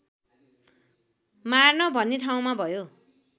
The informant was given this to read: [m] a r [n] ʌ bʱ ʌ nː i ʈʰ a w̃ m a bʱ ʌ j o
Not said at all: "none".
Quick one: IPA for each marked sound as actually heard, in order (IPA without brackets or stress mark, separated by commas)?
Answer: m, n